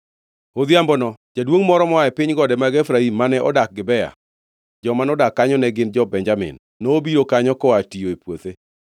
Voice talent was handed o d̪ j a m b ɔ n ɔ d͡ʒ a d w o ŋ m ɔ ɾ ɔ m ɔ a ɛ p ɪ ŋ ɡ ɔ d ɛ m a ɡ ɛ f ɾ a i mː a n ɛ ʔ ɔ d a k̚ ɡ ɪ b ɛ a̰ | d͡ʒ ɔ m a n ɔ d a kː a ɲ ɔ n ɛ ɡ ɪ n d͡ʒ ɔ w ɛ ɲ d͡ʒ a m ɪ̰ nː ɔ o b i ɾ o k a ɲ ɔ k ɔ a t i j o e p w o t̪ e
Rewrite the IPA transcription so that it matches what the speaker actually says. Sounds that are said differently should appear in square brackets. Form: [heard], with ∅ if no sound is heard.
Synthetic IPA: o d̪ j a m b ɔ n ɔ d͡ʒ a d w o ŋ m ɔ ɾ ɔ m ɔ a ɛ p ɪ [ɲ] ɡ ɔ d ɛ m a ɡ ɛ f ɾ a i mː a n ɛ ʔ ɔ d a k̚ ɡ ɪ b ɛ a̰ | d͡ʒ ɔ m a n ɔ d a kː a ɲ ɔ n ɛ ɡ ɪ n d͡ʒ ɔ [b] ɛ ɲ d͡ʒ a m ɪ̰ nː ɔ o b i ɾ o k a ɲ ɔ k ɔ a t i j o e p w o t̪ e